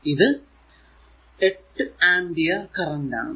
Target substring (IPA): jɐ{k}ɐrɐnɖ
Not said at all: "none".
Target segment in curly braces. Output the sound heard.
k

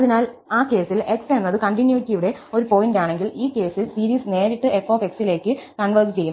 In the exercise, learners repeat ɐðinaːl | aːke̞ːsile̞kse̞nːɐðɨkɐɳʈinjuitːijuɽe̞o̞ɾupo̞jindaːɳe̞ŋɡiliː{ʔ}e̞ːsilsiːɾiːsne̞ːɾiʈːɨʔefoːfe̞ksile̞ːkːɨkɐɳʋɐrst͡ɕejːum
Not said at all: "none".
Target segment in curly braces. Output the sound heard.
k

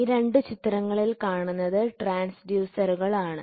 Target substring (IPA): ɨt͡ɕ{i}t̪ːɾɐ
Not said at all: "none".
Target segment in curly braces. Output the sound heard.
i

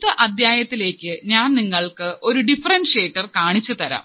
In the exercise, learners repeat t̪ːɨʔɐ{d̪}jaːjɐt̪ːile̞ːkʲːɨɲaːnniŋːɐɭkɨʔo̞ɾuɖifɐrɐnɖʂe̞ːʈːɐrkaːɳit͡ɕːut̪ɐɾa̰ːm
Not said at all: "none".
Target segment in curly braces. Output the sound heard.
d̪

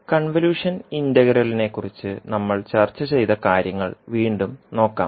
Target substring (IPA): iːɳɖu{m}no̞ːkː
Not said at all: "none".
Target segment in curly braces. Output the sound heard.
m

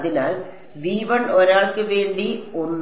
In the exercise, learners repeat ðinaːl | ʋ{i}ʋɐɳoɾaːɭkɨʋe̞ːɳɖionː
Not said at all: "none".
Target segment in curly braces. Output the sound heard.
iː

